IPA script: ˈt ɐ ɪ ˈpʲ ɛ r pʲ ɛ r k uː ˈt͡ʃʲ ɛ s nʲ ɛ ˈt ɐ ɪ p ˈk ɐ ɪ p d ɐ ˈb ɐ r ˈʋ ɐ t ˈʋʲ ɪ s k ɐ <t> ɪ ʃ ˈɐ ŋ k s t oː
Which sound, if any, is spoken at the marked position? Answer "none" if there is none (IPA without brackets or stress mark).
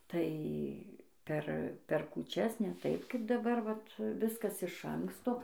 s